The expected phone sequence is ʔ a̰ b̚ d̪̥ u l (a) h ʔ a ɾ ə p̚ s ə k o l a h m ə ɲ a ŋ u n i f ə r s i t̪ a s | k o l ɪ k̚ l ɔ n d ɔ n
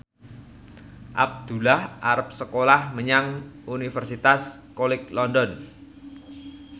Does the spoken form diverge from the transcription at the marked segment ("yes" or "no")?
no